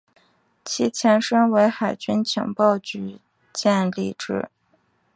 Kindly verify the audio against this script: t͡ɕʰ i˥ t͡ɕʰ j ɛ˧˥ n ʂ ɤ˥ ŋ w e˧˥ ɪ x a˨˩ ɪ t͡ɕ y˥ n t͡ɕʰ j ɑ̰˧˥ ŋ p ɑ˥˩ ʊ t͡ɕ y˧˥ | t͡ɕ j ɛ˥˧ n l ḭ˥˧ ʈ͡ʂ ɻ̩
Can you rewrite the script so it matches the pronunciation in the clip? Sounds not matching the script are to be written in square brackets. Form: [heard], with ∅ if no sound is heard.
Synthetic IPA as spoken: t͡ɕʰ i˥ t͡ɕʰ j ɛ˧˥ n ʂ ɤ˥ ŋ w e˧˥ ɪ x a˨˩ ɪ t͡ɕ y˥ n t͡ɕʰ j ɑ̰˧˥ ŋ p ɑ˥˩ ʊ t͡ɕ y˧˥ | t͡ɕ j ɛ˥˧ n l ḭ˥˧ ʈ͡ʂ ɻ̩